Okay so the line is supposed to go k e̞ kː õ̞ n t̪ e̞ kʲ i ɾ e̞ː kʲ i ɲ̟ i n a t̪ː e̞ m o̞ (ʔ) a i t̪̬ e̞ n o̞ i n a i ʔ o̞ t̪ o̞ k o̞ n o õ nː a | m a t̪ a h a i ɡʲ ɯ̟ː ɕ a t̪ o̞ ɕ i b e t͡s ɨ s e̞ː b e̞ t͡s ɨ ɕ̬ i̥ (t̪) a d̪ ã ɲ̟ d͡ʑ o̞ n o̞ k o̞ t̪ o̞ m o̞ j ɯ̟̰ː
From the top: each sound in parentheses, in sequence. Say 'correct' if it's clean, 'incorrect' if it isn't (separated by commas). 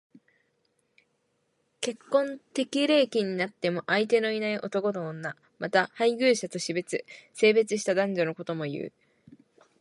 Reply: correct, correct